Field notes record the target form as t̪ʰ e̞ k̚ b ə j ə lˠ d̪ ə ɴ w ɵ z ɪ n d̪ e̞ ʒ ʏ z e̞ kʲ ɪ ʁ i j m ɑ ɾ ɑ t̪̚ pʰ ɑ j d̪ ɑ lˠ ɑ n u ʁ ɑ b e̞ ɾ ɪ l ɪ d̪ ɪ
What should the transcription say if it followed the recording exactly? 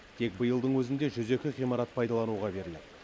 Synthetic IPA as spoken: t̪ʰ e̞ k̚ b ə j ə lˠ d̪ ə ɴ w ɵ z ɪ n d̪ e̞ ʒ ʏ z e̞ kʲ ɪ ʁ i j m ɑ ɾ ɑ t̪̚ pʰ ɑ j d̪ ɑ lˠ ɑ n u ʁ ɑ b e̞ ɾ ɪ l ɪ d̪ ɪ